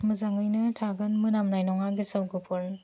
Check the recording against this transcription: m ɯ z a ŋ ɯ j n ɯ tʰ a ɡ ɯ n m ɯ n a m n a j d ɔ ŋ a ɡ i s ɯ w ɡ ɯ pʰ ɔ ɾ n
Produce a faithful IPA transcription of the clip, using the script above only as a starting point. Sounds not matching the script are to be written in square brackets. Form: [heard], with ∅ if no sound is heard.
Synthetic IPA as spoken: m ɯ z a ŋ ɯ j n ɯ tʰ a ɡ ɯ n m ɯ n a m n a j [n] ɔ ŋ a ɡ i s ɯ w ɡ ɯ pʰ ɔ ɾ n